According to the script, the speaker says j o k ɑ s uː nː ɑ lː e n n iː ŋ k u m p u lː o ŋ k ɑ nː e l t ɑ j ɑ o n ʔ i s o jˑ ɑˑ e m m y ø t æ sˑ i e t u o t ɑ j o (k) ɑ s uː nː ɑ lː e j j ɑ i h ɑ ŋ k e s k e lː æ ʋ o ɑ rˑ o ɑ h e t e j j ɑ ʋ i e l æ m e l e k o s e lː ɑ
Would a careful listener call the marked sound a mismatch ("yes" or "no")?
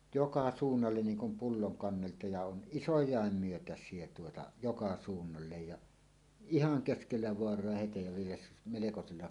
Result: no